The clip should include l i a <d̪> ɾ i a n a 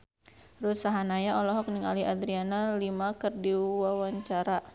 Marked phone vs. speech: correct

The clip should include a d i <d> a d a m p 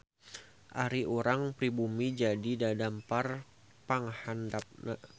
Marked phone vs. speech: correct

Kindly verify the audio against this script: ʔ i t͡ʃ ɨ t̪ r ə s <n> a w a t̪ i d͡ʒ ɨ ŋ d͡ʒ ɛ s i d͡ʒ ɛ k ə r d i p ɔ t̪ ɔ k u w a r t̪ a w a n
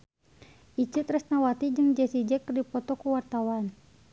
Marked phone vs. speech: correct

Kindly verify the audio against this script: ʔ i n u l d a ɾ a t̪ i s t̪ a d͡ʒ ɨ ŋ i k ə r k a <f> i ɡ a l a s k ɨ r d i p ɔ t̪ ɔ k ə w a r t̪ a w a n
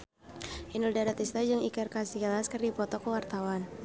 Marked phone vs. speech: incorrect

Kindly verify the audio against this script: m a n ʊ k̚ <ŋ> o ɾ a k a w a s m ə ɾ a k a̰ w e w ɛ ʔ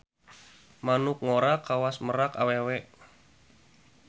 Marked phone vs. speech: correct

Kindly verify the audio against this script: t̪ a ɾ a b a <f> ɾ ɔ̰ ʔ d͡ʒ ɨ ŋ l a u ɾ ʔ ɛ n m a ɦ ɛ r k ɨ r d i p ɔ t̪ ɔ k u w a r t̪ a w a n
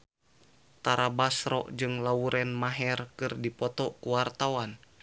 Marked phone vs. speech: incorrect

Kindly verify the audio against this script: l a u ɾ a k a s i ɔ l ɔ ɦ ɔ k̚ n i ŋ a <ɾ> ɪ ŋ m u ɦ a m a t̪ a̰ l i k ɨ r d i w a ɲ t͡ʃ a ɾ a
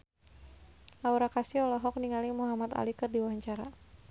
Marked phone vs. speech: incorrect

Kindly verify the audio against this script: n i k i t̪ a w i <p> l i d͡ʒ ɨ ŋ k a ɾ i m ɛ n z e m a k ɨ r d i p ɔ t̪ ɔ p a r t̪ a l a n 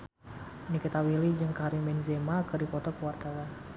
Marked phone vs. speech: incorrect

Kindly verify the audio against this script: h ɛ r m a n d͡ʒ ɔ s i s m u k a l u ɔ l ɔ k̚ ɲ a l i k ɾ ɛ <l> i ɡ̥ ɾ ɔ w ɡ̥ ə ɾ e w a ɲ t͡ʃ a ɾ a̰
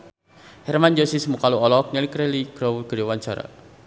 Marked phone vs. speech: correct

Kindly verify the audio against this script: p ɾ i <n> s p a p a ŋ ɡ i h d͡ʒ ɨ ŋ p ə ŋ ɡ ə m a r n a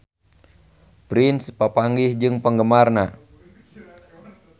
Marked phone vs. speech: correct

